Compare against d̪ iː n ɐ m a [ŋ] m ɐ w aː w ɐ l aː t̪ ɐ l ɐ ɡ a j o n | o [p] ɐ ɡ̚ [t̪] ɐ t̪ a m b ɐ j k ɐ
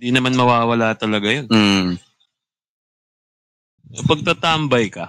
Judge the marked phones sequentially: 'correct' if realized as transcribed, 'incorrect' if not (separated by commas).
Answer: incorrect, correct, correct